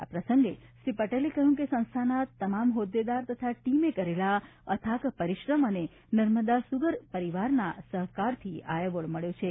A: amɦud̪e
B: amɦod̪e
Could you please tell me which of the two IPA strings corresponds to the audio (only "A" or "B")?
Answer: B